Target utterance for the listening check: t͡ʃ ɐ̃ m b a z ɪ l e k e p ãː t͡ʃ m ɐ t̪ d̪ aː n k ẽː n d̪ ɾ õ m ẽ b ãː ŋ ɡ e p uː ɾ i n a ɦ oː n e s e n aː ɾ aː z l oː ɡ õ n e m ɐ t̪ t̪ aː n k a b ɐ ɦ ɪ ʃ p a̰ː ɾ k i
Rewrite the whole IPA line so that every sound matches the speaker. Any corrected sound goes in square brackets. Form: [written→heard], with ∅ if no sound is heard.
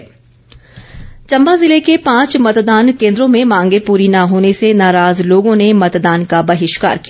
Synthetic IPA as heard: t͡ʃ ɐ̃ m b a z ɪ l e k e p ãː t͡ʃ m ɐ t̪ d̪ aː n k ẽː n d̪ ɾ õ m ẽ [b→m] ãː ŋ ɡ e p uː ɾ i n a ɦ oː n e s e n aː ɾ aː z l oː ɡ õ n e m ɐ t̪ [t̪→d̪] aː n k a b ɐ ɦ ɪ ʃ [p→k] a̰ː ɾ k i